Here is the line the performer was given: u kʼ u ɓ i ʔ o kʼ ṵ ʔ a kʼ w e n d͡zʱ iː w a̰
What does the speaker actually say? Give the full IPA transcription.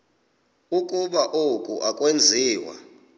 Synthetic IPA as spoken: u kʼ u ɓ a ʔ o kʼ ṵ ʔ a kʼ w e n d͡zʱ iː w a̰